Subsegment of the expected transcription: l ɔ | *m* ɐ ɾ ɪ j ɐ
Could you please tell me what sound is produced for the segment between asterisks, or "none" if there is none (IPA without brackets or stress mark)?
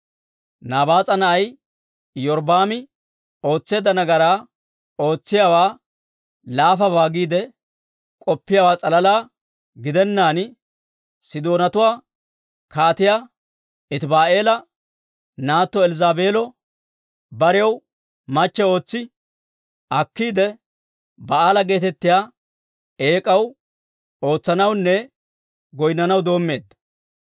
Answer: b